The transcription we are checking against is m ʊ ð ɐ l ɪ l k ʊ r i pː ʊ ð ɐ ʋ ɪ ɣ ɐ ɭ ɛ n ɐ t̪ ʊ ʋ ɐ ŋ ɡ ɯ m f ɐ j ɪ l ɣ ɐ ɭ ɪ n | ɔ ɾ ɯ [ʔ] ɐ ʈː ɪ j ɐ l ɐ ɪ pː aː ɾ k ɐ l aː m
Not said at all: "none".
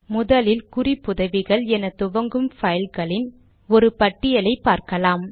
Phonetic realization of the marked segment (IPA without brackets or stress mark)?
p